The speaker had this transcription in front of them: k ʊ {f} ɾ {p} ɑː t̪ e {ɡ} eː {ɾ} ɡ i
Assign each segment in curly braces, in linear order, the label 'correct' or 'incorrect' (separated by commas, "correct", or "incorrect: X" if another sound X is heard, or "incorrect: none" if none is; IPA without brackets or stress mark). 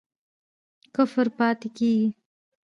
correct, correct, incorrect: k, incorrect: none